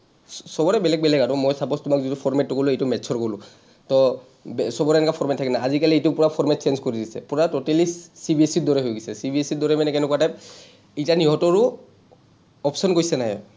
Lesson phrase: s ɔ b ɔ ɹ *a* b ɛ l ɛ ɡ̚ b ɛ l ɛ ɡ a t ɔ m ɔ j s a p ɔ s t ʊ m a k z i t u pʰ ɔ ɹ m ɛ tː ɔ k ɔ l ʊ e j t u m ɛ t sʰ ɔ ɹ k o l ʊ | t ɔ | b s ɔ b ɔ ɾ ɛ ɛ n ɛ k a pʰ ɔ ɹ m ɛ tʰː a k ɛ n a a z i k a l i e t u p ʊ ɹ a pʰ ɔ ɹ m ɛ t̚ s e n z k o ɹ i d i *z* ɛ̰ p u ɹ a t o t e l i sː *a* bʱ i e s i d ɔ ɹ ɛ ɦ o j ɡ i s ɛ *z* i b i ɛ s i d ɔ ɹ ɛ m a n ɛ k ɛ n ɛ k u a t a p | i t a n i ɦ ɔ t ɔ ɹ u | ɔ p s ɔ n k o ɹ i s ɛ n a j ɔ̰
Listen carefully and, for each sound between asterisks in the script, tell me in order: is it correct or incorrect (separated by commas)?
incorrect, incorrect, incorrect, incorrect